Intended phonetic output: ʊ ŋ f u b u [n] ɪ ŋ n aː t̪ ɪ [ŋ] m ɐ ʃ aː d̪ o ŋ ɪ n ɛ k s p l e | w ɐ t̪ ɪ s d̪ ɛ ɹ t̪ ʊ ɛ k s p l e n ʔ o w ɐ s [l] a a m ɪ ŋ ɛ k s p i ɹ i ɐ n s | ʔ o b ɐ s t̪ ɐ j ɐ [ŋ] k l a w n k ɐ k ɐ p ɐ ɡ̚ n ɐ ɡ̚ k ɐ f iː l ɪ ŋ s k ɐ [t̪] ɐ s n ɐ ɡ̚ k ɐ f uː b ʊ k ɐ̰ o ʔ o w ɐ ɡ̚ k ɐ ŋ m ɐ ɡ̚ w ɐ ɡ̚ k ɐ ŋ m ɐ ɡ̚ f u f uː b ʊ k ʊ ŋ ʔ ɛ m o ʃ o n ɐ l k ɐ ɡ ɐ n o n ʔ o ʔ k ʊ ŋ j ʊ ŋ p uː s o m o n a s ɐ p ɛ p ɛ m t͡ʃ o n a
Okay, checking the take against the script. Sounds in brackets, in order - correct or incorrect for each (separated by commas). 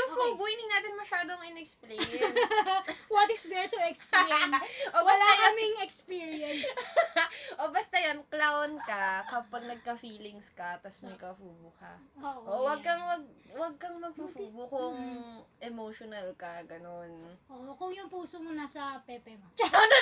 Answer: correct, incorrect, correct, incorrect, correct